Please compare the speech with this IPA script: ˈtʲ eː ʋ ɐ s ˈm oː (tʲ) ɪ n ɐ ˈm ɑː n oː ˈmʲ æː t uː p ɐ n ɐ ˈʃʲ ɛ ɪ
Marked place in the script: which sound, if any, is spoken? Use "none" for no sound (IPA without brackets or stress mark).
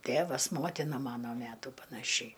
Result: tʲ